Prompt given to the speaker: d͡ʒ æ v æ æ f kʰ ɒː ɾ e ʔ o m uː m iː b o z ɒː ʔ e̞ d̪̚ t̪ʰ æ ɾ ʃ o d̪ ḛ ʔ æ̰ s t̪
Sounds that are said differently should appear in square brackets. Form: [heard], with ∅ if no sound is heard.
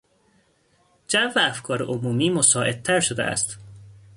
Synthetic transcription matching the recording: d͡ʒ æ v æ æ f kʰ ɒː ɾ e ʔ o m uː m iː [m] o [s] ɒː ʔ e̞ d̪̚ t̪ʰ æ ɾ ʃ o d̪ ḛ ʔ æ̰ s t̪